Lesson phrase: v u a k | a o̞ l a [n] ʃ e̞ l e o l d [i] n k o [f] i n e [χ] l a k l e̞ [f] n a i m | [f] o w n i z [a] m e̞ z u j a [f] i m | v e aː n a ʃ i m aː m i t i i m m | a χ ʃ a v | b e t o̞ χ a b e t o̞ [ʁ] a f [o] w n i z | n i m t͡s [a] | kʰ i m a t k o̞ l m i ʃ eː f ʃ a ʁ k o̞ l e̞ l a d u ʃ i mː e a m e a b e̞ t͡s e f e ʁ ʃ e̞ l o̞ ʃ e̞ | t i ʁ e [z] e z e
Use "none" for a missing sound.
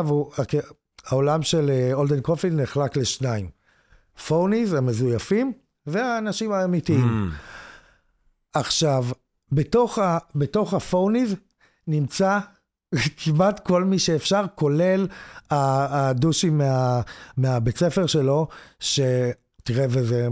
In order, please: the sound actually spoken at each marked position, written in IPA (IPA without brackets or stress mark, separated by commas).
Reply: m, e, f, χ, ʃ, f, a, f, χ, o, a, v